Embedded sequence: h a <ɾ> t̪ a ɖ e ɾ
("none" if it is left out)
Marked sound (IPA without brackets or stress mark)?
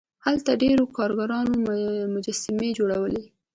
l